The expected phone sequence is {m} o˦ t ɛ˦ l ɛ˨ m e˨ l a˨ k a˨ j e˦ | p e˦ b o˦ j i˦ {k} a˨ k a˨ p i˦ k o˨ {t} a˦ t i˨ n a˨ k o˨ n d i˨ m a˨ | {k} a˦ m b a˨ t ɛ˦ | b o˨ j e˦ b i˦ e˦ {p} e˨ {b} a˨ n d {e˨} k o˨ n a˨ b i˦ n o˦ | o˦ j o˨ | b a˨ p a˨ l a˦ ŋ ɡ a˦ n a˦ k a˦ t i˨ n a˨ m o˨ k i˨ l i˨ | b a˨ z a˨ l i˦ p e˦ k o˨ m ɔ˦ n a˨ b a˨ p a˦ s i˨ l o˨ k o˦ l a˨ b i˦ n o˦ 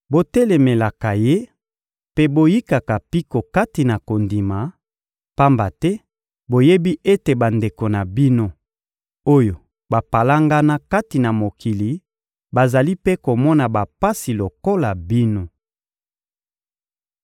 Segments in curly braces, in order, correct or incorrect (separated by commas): incorrect, correct, incorrect, incorrect, incorrect, correct, correct